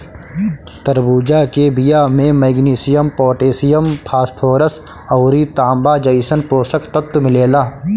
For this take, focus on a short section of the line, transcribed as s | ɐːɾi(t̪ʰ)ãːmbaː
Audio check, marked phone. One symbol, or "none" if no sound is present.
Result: t̪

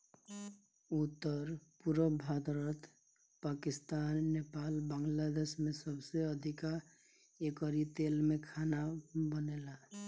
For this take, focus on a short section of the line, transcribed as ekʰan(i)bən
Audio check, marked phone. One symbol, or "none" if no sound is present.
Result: a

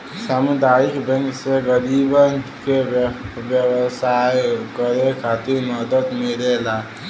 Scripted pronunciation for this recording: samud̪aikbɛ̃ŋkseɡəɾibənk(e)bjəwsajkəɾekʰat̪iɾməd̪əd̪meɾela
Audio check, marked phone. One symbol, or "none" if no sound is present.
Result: e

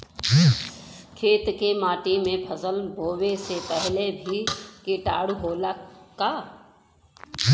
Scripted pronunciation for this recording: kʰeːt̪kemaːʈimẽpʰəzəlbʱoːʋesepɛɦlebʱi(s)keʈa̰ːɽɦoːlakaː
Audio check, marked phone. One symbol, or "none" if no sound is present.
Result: none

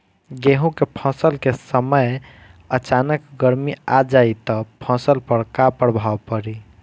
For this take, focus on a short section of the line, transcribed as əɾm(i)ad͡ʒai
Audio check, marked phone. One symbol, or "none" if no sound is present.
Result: i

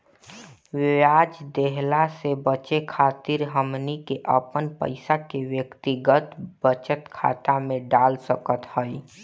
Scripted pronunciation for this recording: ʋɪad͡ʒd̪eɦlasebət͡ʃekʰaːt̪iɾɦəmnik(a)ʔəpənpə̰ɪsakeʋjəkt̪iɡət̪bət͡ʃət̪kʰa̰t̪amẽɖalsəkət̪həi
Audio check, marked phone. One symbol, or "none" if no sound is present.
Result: e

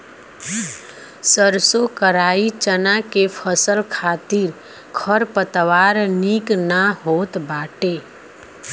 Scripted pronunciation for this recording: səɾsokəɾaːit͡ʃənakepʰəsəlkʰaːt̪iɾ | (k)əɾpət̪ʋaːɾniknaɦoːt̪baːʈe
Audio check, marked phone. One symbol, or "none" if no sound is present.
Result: kʰ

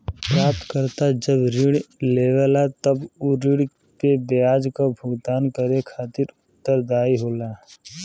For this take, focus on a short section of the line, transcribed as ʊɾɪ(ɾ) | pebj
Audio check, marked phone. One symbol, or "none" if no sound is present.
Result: ɽ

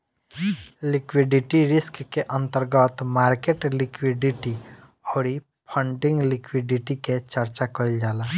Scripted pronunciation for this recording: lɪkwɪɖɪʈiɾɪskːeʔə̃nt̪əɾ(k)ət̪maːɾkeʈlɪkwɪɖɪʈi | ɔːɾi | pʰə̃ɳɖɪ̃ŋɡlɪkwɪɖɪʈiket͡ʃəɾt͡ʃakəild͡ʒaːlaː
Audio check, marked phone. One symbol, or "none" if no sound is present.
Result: ɡ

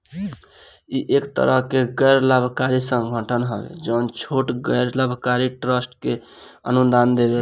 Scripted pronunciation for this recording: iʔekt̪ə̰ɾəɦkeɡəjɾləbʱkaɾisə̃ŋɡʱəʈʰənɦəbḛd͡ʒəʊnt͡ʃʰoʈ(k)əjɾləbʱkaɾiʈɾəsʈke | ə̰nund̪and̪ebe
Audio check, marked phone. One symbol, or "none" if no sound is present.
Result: ɡ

